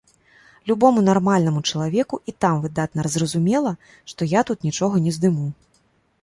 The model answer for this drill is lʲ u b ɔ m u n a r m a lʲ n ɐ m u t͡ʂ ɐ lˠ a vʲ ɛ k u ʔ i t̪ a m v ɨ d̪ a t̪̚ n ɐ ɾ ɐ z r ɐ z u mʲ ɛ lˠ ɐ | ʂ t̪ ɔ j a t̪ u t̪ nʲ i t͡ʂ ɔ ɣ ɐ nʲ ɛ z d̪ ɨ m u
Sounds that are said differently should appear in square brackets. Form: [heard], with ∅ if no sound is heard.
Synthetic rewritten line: lʲ u b ɔ m u n a r m a lʲ n ɐ m u t͡ʂ ɐ lˠ a vʲ ɛ k u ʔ i t̪ a m v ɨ d̪ a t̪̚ n ɐ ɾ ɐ z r ɐ z u mʲ ɛ lˠ ɐ | ʂ t̪ ɔ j a t̪ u t̪ nʲ i t͡ʂ ɔ ɣ ɐ nʲ ɛ z d̪ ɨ m u